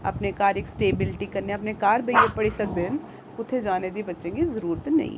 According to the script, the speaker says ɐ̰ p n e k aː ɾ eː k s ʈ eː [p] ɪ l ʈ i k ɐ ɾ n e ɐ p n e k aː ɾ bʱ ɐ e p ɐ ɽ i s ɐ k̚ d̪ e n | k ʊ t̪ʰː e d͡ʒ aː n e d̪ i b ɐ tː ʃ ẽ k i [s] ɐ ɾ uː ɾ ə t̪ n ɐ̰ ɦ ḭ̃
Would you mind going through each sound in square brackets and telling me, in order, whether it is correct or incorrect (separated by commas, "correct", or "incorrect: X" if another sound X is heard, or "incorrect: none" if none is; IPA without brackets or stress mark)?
incorrect: b, incorrect: z